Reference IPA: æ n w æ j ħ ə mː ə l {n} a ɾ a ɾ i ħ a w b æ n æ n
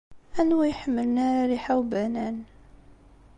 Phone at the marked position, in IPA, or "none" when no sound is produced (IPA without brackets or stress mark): n